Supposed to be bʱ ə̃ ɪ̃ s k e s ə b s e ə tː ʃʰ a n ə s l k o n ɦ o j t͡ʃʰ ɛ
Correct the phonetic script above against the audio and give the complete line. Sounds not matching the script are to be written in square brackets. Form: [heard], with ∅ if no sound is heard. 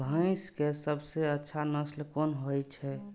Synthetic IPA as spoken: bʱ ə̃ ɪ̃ s k e s ə b s e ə tː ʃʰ a n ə s l k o n ɦ o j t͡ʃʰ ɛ